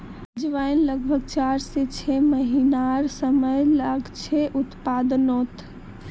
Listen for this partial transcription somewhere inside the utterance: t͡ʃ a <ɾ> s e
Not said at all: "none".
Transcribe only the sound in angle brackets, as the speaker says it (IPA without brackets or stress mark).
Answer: ɾ